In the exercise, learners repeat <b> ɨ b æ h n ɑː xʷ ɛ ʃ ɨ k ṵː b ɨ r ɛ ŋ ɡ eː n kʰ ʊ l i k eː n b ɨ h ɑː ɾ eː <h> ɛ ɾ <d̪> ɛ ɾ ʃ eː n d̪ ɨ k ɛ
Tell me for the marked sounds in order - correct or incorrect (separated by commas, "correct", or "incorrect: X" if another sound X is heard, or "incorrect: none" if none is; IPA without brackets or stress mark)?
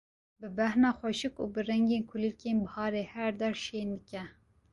correct, correct, correct